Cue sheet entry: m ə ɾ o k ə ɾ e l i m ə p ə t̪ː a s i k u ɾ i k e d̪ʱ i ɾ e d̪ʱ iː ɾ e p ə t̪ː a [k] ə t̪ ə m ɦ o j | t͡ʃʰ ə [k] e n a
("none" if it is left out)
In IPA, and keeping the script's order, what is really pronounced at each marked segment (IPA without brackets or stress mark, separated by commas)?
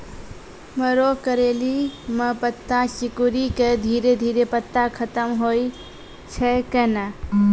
kʰ, k